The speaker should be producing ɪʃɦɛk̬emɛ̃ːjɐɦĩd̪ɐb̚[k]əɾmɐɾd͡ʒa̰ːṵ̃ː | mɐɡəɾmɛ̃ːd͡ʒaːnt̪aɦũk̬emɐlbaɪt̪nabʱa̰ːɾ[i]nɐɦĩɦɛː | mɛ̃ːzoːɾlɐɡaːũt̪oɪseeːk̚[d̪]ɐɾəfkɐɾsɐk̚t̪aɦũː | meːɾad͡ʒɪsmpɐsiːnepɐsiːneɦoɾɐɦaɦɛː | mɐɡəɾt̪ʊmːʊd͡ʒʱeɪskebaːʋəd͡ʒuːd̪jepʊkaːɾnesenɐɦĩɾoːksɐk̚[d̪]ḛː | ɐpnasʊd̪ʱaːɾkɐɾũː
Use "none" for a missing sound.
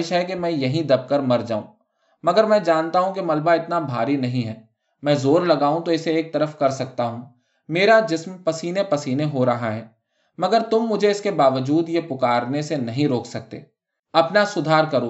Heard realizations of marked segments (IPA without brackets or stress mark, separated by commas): k, i, t̪, t̪